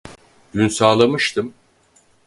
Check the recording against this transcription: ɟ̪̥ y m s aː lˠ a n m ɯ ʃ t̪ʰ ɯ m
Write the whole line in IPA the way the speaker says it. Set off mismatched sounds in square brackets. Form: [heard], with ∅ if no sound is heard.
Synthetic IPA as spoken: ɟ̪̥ y [n] s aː lˠ a [∅] m ɯ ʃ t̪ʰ ɯ m

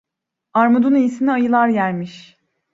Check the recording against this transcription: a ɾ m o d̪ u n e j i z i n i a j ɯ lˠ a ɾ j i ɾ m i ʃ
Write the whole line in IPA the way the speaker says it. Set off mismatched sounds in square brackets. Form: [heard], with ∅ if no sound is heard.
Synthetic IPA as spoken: a ɾ m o d̪ u n [i] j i [s] i n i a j ɯ lˠ a ɾ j [æ] ɾ m i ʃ

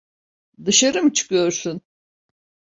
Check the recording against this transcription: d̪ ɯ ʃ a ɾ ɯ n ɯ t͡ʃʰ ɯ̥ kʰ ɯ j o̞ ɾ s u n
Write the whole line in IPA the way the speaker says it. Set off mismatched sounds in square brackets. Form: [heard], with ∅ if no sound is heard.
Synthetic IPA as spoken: d̪ ɯ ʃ a ɾ ɯ [m] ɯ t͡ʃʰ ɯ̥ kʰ ɯ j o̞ ɾ s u n

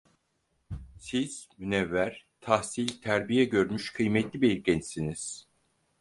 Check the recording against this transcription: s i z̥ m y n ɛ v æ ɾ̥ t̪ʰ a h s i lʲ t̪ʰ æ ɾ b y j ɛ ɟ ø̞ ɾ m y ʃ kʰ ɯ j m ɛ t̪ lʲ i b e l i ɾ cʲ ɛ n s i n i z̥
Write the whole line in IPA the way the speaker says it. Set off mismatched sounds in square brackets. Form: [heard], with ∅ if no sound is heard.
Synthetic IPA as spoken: s i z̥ m y n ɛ [vː] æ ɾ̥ t̪ʰ a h s i lʲ t̪ʰ æ ɾ b [i] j ɛ ɟ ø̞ ɾ m y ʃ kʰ ɯ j m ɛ t̪ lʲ i b e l i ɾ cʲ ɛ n s i n i z̥

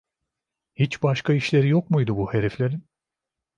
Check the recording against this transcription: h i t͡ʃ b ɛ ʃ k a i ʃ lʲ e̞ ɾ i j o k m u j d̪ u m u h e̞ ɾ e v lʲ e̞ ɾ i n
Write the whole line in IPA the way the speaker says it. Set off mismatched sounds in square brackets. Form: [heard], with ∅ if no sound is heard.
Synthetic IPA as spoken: h i t͡ʃ b [a] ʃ k a i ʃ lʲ e̞ ɾ i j o k m u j d̪ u [b] u h e̞ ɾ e [f] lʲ e̞ ɾ i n

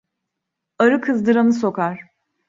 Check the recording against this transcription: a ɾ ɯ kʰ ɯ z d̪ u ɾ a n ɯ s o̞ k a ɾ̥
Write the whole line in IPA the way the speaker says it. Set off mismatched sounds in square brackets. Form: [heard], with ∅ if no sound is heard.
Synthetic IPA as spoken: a ɾ ɯ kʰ ɯ z d̪ [ɯ] ɾ a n ɯ s o̞ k a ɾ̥

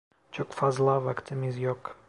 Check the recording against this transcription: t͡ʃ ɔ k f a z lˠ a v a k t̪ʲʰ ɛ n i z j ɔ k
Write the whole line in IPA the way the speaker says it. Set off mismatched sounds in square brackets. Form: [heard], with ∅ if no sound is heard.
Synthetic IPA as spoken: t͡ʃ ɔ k f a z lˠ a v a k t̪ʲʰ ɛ [m] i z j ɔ k

